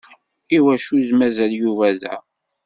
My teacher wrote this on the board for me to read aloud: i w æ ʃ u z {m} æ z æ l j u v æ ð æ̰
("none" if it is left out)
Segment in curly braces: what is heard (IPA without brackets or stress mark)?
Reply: m